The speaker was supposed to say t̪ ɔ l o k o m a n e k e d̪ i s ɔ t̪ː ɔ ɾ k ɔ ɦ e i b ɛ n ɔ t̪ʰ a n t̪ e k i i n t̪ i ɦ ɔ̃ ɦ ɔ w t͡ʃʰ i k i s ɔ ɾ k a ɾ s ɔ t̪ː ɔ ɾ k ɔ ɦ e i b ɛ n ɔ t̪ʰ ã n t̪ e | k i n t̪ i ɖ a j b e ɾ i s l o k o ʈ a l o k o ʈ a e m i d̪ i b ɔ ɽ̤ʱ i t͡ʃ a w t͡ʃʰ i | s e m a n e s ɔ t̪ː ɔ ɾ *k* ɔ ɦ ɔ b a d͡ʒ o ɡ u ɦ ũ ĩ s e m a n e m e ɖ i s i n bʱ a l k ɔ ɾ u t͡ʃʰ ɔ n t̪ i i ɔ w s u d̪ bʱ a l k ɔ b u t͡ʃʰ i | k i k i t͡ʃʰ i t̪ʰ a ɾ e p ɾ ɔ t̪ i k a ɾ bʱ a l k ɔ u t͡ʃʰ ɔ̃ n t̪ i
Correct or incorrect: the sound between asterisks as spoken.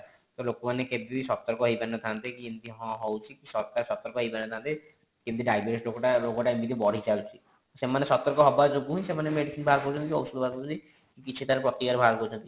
correct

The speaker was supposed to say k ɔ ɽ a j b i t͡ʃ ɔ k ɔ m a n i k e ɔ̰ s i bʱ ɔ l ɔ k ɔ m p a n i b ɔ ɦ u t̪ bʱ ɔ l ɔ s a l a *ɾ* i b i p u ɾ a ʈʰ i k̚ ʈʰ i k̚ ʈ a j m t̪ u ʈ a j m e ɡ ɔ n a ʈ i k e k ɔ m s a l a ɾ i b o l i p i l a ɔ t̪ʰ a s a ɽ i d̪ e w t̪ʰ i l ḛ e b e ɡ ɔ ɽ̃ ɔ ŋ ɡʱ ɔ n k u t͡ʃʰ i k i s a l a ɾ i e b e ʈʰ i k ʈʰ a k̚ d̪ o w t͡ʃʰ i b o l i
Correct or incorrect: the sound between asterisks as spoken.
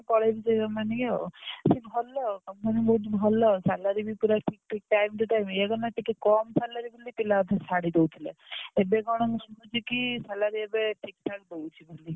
correct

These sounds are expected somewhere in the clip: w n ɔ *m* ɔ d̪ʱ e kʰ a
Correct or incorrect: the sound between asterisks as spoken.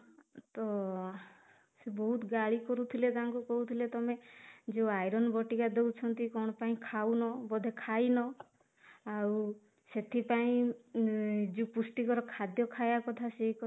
incorrect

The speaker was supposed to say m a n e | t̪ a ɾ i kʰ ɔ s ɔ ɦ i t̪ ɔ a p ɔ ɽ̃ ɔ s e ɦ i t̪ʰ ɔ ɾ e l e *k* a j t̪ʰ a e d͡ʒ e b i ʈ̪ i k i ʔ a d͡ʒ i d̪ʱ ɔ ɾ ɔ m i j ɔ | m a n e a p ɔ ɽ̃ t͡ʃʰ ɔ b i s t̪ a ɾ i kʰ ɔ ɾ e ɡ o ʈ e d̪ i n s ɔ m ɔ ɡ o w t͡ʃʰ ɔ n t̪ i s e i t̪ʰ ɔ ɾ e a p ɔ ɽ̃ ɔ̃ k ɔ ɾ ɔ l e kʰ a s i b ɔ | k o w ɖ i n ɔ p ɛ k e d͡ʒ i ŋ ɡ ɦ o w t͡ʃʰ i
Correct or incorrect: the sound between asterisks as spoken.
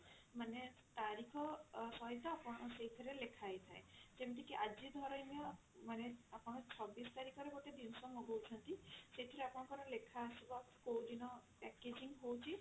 incorrect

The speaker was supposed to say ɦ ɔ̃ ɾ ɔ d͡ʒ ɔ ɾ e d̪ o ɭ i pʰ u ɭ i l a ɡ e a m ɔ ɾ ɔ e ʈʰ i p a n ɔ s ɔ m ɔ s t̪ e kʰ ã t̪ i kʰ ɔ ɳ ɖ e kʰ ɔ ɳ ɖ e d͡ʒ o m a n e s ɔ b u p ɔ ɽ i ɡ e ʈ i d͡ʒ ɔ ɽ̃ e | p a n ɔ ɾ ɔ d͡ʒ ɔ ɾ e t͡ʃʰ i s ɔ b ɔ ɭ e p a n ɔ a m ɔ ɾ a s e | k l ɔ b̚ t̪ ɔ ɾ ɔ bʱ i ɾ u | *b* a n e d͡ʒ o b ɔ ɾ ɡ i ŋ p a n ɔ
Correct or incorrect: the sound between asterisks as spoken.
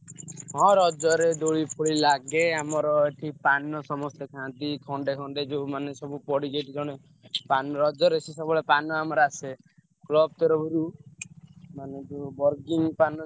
incorrect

